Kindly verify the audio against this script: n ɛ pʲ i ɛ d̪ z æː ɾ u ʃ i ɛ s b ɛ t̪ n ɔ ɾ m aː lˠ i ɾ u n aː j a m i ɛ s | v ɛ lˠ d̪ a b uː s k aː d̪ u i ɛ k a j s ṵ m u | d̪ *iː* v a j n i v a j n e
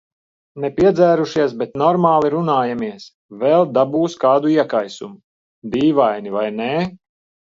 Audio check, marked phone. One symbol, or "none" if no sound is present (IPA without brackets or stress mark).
iː